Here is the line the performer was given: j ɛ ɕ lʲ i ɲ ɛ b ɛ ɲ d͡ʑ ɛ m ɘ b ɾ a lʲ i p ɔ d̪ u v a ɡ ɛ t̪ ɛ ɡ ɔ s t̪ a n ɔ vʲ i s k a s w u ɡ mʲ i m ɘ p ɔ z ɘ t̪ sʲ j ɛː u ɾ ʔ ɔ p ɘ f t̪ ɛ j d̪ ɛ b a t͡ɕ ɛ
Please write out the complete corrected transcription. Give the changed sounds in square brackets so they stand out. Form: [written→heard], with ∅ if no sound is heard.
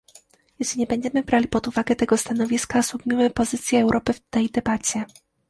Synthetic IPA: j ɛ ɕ lʲ i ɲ ɛ b ɛ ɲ d͡ʑ ɛ m ɘ b ɾ a lʲ i p ɔ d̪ u v a ɡ ɛ t̪ ɛ ɡ ɔ s t̪ a n ɔ vʲ i s k a s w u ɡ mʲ i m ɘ p ɔ z ɘ t̪ sʲ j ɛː [u→w] ɾ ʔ ɔ p ɘ f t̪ ɛ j d̪ ɛ b a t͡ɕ ɛ

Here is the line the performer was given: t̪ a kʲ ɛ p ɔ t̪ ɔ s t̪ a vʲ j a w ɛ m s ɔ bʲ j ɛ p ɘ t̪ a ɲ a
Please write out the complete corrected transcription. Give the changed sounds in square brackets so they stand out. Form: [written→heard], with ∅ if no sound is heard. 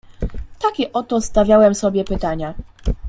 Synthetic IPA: t̪ a kʲ ɛ [p→ʔ] ɔ t̪ ɔ s t̪ a vʲ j a w ɛ m s ɔ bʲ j ɛ p ɘ t̪ a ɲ a

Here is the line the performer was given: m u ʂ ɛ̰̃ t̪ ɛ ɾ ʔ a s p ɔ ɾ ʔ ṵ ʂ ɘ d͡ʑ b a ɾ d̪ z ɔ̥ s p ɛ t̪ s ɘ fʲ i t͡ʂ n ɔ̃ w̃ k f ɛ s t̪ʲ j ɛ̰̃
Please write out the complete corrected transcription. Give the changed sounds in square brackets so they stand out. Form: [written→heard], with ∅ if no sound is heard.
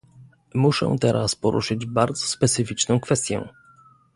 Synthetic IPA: m u ʂ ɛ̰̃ t̪ ɛ ɾ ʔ a s p ɔ ɾ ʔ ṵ ʂ ɘ d͡ʑ b a ɾ d̪ z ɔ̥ s p ɛ t̪ s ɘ fʲ i t͡ʂ n ɔ̃ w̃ k f ɛ s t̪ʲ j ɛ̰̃

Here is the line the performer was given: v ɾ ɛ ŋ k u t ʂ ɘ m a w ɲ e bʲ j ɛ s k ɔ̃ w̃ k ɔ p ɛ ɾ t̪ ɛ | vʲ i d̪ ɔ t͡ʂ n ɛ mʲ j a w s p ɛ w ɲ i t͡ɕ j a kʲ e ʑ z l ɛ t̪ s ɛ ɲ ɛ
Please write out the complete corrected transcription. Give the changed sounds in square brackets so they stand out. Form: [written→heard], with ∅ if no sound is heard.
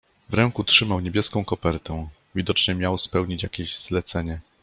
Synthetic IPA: v ɾ ɛ ŋ k u t ʂ ɘ m a w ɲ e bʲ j ɛ s k ɔ̃ w̃ k ɔ p ɛ ɾ t̪ ɛ | vʲ i d̪ ɔ t͡ʂ [n→ɲ] ɛ mʲ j a w s p ɛ w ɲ i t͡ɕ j a kʲ e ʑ z l ɛ t̪ s ɛ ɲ ɛ

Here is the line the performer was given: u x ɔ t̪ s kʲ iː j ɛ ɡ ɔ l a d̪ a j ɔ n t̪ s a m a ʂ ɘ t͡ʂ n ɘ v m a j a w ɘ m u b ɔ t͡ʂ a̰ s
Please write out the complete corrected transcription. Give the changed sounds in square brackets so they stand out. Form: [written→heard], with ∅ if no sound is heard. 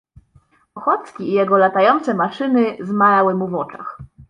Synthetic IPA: [u→ɔ] x ɔ t̪ s kʲ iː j ɛ ɡ ɔ l a [d̪→t̪] a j ɔ n t̪ s [a→ɛ] m a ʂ ɘ [t͡ʂ→∅] n ɘ [v→z] m a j a w ɘ m u [b→v] ɔ t͡ʂ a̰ [s→x]

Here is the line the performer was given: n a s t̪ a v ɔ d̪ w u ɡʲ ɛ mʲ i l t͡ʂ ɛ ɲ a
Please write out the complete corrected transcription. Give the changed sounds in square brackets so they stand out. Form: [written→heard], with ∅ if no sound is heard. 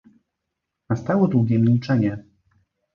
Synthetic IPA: n a s t̪ a [v→w] ɔ d̪ w u ɡʲ ɛ mʲ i l t͡ʂ ɛ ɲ [a→ɛ]

